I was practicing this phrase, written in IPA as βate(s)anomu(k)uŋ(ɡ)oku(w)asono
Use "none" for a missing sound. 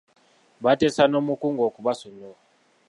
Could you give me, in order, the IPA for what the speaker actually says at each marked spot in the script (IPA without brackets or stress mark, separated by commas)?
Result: s, k, ɡ, β